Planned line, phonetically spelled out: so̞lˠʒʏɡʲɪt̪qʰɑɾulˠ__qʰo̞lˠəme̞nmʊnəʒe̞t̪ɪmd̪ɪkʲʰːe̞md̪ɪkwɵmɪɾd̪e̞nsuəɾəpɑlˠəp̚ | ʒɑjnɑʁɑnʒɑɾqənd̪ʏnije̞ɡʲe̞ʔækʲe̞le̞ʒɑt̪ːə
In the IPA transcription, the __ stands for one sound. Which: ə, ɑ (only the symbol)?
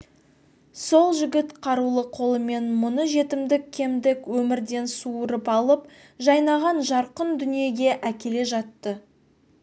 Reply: ə